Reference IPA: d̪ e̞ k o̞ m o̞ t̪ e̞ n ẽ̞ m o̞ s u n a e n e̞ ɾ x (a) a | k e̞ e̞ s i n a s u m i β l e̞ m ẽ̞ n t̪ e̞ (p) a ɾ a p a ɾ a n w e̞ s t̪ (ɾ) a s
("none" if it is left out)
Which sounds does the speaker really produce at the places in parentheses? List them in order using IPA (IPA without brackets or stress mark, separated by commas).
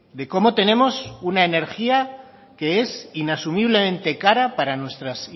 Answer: i, k, ɾ